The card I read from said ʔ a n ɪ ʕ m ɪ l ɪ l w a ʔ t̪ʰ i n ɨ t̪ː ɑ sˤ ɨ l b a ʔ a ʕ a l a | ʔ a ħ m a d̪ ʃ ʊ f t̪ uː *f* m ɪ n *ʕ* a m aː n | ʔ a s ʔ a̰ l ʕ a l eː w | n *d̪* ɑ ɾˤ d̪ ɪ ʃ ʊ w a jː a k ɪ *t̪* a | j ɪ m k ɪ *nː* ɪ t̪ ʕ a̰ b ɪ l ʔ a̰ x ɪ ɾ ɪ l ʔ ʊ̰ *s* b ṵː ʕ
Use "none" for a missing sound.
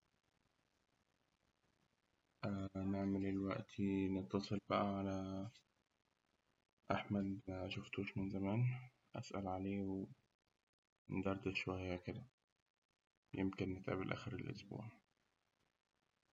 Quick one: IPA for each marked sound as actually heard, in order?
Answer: ʃ, z, d̪, d̪, nː, s

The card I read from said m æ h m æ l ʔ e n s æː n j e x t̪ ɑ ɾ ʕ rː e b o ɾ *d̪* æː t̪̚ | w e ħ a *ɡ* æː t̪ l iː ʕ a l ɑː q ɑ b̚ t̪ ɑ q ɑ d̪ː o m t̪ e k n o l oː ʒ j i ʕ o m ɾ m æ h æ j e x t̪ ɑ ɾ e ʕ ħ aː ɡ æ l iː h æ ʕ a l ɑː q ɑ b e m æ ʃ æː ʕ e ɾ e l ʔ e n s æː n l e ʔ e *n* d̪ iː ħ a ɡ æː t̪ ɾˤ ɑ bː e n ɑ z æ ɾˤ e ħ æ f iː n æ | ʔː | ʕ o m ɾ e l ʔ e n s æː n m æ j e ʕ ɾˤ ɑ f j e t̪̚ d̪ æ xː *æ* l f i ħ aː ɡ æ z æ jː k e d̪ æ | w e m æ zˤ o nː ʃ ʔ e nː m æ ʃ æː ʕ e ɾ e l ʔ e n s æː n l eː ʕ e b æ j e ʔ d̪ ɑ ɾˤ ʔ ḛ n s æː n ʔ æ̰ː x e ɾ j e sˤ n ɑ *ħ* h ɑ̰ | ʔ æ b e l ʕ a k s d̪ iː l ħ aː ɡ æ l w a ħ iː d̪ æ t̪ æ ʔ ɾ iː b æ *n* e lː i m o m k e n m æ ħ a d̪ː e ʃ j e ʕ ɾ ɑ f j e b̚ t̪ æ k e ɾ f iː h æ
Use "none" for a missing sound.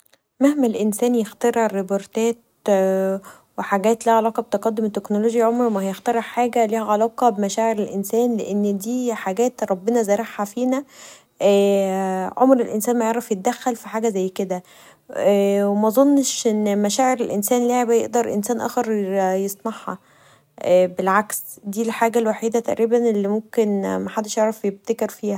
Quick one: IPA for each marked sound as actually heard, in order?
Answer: t̪, ɡ, nː, æ, ħ, n

